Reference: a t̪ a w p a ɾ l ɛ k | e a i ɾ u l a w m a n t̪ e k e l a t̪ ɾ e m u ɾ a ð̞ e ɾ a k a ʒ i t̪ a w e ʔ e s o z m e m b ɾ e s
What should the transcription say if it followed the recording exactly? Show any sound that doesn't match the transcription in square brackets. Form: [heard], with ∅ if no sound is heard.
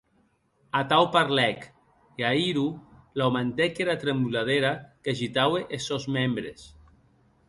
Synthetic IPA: a t̪ a w p a ɾ l ɛ k | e a i ɾ u l a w m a n t̪ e k e [ɾ] a t̪ ɾ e m u [l] a ð̞ e ɾ a k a ʒ i t̪ a w e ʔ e s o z m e m b ɾ e s